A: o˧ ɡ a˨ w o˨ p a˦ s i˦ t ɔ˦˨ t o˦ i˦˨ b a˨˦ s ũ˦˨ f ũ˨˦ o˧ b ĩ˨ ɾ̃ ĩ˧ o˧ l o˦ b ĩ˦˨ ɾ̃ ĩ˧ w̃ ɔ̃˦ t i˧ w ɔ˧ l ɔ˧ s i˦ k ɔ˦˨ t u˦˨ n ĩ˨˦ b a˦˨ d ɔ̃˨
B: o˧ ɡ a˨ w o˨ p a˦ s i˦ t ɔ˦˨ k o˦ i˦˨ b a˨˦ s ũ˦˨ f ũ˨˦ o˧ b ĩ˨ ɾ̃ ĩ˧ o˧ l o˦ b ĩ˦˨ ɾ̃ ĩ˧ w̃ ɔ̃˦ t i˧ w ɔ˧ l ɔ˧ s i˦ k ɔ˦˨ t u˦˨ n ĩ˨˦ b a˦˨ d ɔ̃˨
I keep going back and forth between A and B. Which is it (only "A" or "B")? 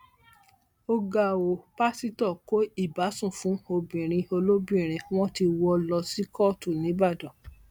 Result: B